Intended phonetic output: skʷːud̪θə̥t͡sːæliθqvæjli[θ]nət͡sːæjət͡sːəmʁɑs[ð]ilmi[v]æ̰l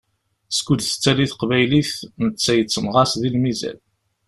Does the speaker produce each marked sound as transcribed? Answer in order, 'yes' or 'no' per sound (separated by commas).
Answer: yes, yes, no